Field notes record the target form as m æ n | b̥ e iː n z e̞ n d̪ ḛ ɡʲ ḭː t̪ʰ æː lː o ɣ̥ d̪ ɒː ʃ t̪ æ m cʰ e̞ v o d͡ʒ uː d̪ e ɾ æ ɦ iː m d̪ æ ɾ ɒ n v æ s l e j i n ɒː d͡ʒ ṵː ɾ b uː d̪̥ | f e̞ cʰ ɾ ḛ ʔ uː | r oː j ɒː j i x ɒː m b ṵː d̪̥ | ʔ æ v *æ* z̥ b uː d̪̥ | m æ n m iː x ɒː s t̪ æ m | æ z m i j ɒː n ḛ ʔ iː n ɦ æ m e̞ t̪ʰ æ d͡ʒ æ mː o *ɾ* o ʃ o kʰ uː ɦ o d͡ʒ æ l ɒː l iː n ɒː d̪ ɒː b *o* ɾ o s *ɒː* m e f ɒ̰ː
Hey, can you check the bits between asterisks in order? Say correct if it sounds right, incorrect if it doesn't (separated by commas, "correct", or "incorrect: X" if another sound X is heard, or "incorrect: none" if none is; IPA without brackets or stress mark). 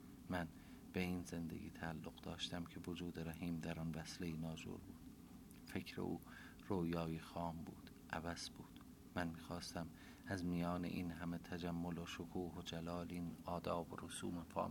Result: correct, incorrect: l, correct, incorrect: uː